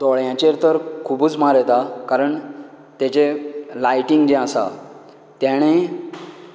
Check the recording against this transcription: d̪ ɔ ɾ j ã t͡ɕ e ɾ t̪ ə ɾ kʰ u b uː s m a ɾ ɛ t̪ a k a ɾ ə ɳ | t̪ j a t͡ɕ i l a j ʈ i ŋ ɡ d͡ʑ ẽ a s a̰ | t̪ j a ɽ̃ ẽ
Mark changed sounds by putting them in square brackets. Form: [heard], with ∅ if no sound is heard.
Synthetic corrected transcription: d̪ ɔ [ɭ] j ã t͡ɕ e ɾ t̪ ə ɾ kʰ u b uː [t͡s] m a ɾ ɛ t̪ a k a ɾ ə ɳ | t̪ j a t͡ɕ [e] l a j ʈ i ŋ ɡ d͡ʑ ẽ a s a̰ | t̪ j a ɽ̃ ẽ